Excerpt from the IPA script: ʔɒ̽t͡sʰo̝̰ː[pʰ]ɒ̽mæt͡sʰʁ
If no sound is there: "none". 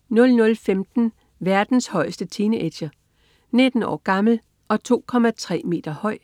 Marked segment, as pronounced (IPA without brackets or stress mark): kʰ